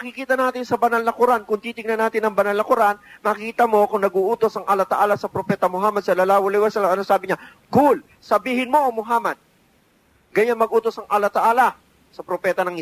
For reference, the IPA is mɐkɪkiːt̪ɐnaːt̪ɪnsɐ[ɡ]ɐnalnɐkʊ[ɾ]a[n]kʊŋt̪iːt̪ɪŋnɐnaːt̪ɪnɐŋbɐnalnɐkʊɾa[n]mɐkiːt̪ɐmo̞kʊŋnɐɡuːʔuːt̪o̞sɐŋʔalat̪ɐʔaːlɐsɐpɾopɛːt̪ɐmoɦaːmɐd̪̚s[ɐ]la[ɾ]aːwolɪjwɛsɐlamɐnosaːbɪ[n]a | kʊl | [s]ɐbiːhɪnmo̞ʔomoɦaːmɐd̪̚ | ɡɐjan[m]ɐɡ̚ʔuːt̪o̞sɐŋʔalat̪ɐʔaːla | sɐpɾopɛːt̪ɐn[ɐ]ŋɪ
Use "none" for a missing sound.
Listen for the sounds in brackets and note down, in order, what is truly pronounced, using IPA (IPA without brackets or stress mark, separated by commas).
b, ɾ, n, n, ɐ, l, ɲ, s, m, ɐ